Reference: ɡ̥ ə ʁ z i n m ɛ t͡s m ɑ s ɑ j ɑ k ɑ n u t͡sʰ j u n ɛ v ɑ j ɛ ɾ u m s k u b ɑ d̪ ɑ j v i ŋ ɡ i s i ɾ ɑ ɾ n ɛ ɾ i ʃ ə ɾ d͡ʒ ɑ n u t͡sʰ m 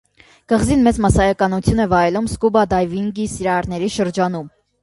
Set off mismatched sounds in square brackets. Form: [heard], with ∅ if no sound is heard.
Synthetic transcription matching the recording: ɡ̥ ə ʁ z i n m ɛ t͡s m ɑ s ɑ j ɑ k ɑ n u t͡sʰ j u n ɛ v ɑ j ɛ [l] u m s k u b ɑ d̪ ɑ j v i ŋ ɡ i s i ɾ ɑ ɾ n ɛ ɾ i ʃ ə ɾ d͡ʒ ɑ n u [∅] m